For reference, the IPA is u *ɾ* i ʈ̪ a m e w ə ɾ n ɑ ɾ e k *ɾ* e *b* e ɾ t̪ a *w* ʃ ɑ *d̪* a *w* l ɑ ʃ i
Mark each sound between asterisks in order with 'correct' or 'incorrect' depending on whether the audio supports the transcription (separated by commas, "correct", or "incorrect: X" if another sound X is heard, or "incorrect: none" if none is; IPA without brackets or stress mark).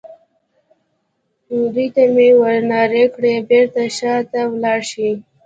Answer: correct, incorrect: ɽ, correct, incorrect: none, incorrect: t̪, correct